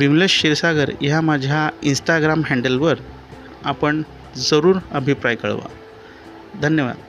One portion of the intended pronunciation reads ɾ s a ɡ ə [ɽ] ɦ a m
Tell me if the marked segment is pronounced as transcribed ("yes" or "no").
no